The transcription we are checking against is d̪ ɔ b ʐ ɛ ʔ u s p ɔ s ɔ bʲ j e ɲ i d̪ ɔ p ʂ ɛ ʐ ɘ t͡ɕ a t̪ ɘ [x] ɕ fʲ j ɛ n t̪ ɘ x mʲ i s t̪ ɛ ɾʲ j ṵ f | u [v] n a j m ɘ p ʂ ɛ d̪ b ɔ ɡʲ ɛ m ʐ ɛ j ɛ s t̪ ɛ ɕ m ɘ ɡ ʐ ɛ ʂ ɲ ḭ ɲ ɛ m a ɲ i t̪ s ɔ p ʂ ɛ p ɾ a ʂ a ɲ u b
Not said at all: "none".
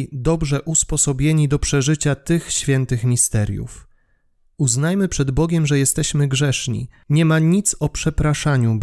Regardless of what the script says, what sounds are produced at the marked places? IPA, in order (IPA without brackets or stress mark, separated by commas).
x, z